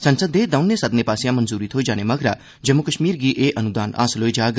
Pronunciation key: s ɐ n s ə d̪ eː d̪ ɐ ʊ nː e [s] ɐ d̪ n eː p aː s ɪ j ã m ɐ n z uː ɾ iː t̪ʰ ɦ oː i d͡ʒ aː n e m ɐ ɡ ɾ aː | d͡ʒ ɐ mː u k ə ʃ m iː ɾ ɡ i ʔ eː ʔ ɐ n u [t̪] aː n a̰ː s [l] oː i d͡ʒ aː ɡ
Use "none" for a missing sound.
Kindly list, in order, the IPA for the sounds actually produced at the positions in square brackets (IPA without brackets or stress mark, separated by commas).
s, d̪, l